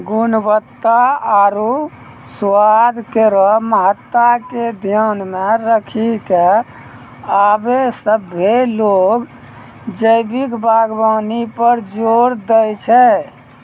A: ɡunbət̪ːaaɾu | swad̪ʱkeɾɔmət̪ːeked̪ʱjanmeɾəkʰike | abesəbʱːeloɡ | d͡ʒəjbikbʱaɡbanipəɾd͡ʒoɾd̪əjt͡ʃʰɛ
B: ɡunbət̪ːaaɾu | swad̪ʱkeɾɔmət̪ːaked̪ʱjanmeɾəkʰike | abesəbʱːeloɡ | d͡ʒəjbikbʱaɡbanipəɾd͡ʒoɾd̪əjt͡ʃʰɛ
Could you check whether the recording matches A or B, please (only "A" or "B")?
B